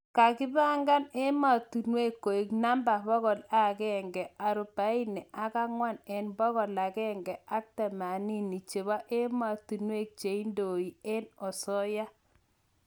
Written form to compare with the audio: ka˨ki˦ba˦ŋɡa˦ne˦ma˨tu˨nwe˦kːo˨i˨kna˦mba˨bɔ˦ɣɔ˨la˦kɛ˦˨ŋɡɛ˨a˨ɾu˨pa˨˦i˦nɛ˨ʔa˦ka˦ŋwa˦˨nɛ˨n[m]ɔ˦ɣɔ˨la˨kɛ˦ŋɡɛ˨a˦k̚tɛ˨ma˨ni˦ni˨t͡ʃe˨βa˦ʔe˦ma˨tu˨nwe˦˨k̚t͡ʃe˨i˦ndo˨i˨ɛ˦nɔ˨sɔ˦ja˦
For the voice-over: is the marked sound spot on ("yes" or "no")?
no